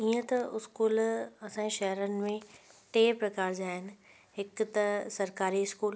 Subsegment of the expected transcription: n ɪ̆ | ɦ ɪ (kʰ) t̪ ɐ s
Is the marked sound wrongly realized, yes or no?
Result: yes